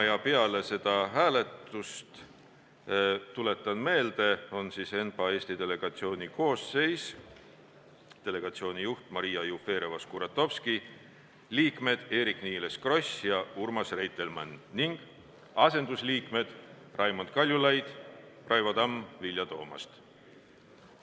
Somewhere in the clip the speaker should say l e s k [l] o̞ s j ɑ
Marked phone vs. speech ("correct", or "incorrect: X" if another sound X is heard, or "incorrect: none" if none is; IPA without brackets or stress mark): incorrect: r